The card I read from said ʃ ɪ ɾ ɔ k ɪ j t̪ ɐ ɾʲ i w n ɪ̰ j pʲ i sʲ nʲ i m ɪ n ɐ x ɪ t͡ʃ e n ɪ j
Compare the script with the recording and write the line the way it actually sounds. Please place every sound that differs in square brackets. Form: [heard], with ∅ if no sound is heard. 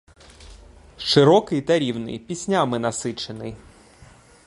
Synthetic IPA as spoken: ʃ ɪ ɾ ɔ k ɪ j t̪ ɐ ɾʲ i w n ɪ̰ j pʲ i sʲ nʲ [a] m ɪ n ɐ [s] ɪ t͡ʃ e n ɪ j